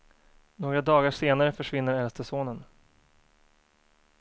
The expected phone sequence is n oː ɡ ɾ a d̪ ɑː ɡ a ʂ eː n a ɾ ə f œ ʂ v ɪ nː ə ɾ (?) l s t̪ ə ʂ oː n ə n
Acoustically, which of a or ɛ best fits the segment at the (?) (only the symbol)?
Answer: ɛ